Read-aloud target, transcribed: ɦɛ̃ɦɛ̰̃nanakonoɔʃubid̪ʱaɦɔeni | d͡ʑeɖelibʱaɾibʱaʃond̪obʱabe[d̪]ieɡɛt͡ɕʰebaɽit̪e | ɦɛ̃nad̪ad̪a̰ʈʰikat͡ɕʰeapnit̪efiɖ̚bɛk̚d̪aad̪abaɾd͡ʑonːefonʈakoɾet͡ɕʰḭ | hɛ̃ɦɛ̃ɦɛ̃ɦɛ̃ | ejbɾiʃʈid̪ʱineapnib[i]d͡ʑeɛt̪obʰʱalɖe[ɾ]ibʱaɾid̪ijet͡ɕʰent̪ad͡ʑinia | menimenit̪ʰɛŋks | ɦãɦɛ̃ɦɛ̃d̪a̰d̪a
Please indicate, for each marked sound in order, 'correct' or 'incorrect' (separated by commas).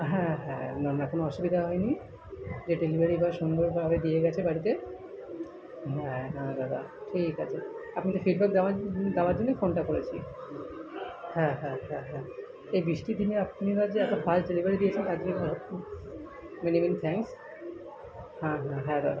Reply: correct, incorrect, incorrect